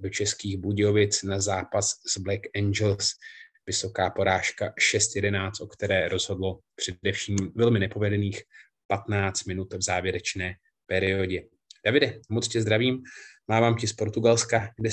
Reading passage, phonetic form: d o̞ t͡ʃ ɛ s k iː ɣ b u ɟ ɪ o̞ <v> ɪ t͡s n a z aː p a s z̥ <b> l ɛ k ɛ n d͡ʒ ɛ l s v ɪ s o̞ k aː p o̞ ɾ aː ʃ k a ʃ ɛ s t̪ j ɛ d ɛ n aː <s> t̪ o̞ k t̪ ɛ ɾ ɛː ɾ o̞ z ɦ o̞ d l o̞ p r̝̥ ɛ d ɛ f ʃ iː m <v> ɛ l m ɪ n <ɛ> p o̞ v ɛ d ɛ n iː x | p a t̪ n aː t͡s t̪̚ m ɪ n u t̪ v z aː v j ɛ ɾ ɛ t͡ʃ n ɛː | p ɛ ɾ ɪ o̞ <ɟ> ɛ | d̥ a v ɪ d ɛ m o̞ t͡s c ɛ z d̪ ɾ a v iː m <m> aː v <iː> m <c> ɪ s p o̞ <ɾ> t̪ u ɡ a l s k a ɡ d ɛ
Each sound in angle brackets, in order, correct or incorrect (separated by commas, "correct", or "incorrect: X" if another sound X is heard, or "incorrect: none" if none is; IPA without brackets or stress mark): correct, correct, incorrect: t͡s, correct, correct, correct, correct, incorrect: aː, correct, correct